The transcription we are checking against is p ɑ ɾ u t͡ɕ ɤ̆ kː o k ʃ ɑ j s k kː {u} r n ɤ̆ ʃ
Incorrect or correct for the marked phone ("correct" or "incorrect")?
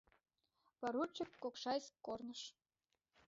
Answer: incorrect